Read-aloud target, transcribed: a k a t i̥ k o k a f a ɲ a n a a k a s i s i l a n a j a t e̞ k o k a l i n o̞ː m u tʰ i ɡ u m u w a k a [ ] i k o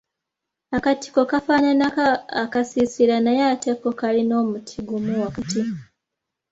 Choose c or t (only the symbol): t